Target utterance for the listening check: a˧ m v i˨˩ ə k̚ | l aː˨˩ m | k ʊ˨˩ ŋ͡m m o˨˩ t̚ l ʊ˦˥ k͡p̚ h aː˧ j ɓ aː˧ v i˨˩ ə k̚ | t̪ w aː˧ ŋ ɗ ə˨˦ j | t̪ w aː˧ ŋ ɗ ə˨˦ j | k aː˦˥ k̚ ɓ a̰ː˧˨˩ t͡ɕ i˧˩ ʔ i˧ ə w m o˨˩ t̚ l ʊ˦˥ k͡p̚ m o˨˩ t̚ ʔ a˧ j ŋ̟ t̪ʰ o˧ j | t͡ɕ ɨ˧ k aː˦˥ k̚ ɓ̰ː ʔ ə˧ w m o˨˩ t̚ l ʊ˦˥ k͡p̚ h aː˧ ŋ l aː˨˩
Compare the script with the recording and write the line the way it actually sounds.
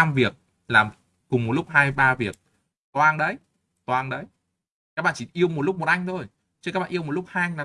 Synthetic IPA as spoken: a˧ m v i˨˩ ə k̚ | l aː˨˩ m | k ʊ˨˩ ŋ͡m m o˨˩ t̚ l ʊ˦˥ k͡p̚ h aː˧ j ɓ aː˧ v i˨˩ ə k̚ | t̪ w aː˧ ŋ ɗ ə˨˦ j | t̪ w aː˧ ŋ ɗ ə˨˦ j | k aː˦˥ k̚ ɓ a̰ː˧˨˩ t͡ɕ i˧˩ ʔ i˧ ə w m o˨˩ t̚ l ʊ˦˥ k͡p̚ m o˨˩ t̚ ʔ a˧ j ŋ̟ t̪ʰ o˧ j | t͡ɕ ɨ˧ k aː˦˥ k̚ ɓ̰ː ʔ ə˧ w m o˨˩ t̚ l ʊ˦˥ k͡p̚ h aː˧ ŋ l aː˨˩

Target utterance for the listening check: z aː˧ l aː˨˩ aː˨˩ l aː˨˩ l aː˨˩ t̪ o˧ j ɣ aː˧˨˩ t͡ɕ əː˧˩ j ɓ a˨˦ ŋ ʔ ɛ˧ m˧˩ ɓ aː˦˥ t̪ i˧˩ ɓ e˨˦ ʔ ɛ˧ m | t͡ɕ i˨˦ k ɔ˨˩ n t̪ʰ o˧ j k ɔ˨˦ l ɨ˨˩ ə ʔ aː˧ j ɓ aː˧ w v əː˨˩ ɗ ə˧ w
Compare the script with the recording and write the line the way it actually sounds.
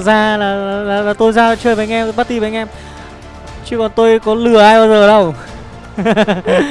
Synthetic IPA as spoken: z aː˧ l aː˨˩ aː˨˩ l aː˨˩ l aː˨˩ t̪ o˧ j z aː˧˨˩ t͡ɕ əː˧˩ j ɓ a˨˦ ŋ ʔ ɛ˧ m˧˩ ɓ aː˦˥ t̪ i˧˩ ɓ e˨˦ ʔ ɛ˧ m | t͡ɕ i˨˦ k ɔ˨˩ n t̪ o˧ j k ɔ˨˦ l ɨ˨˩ ə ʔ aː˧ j ɓ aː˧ w z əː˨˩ ɗ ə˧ w

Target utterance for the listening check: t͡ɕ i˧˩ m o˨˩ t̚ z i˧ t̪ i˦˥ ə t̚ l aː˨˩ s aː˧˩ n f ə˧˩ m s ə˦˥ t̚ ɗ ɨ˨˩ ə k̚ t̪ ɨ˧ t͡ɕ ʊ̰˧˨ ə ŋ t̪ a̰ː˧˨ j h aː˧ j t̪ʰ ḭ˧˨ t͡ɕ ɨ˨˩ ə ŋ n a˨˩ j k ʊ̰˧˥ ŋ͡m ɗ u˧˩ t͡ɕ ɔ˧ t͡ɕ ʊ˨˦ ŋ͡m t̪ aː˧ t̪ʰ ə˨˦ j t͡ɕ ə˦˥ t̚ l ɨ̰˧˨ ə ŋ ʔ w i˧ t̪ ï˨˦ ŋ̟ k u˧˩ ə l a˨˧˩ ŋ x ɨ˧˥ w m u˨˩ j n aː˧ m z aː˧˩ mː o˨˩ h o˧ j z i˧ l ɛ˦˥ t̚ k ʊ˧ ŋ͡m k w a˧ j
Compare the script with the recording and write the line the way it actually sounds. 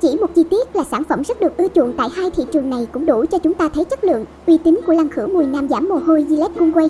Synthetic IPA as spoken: t͡ɕ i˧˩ m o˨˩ t̚ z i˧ t̪ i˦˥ ə t̚ l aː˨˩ s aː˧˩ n f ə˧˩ m z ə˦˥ t̚ ɗ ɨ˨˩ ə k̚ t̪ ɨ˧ t͡ɕ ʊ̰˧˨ ə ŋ t̪ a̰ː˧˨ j h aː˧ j t̪ʰ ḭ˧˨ t͡ɕ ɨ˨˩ ə ŋ n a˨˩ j k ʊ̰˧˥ ŋ͡m ɗ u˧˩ t͡ɕ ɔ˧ t͡ɕ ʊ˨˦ ŋ͡m t̪ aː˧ t̪ʰ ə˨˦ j t͡ɕ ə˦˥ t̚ l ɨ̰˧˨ ə ŋ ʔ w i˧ t̪ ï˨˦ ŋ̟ k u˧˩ ə l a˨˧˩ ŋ x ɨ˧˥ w m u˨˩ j n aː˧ m z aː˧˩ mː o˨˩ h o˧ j z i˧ l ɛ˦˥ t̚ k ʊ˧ ŋ͡m k w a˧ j

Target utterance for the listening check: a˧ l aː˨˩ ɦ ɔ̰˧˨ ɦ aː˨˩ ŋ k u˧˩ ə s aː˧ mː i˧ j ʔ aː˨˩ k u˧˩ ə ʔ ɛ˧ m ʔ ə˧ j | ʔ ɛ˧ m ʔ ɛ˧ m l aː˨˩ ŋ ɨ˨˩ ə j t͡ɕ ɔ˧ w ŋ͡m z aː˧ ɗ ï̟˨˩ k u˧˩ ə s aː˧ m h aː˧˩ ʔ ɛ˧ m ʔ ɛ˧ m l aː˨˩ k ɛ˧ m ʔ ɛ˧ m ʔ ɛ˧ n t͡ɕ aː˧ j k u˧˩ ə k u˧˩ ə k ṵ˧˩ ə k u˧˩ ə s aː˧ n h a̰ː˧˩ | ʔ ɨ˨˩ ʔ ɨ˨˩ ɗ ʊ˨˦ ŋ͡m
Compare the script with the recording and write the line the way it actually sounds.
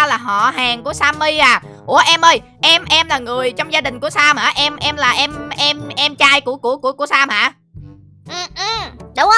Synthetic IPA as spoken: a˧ l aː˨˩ ɦ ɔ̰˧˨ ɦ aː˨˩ ŋ k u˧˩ ə s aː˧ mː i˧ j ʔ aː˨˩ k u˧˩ ə ʔ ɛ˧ m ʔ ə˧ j | ʔ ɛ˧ m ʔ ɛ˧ m l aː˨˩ ŋ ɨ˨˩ ə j t͡ɕ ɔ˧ w ŋ͡m z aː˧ ɗ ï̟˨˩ k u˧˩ ə s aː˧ m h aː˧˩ ʔ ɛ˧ m ʔ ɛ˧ m l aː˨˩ ʔ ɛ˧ m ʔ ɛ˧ m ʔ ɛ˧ m t͡ɕ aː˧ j k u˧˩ ə k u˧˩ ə k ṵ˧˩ ə k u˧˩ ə s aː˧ m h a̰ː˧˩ | ʔ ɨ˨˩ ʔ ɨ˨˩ ɗ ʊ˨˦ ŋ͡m

